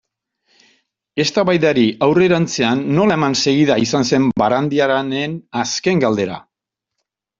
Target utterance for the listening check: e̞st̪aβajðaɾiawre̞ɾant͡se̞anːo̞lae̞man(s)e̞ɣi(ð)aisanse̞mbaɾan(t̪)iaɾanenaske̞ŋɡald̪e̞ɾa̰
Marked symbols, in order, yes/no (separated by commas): yes, yes, no